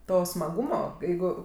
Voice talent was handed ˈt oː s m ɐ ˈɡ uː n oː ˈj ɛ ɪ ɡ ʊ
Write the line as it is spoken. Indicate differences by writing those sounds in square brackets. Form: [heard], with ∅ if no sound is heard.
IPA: ˈt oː s m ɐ ˈɡ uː [m] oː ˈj ɛ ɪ ɡ ʊ